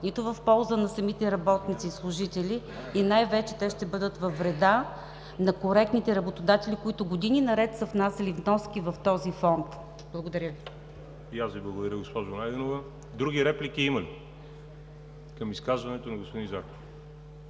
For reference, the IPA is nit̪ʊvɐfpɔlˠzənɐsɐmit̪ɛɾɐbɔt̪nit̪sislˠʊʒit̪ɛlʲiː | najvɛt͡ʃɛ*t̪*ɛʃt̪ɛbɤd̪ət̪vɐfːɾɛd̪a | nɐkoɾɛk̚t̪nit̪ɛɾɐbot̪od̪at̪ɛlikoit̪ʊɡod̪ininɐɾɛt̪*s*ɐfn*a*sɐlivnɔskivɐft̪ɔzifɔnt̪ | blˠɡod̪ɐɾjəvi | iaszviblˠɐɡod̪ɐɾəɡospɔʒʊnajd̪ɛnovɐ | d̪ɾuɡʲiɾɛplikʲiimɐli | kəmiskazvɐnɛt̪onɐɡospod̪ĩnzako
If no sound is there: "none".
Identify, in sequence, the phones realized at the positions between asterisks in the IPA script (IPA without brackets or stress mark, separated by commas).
t̪, s, a